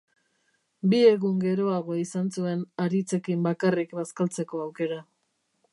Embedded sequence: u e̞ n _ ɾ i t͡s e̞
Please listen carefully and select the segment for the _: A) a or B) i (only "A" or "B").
A